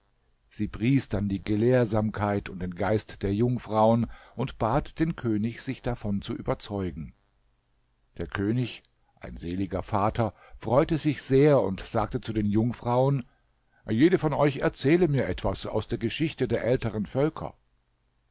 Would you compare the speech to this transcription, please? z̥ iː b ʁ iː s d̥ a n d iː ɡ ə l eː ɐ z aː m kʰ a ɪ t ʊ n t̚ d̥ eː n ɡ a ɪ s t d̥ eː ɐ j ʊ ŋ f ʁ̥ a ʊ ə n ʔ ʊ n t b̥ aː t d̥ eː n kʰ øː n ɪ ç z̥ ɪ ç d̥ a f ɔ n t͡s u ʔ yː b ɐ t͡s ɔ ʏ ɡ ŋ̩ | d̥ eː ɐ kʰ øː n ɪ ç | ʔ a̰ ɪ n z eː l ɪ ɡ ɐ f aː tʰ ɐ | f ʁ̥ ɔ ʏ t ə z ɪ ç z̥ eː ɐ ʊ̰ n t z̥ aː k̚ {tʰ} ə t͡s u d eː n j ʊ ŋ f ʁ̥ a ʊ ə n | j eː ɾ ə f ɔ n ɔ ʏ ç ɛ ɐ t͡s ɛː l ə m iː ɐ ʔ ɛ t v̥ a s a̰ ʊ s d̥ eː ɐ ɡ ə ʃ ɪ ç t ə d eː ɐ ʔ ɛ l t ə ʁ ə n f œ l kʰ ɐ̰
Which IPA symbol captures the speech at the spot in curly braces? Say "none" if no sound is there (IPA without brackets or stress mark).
t